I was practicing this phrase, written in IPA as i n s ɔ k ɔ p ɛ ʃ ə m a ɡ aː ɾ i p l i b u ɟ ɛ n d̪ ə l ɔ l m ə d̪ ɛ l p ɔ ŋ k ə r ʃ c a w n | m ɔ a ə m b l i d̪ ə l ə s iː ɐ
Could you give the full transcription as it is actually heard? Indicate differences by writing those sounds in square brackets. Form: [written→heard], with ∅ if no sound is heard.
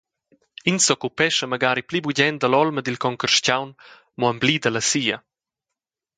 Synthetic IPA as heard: i n s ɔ k [ɔ→u] p ɛ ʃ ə m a ɡ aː ɾ i p l i b u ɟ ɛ n d̪ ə l ɔ l m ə d̪ [ɛ→i] l [p→k] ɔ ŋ k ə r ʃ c a w n | m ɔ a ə m b l i d̪ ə l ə s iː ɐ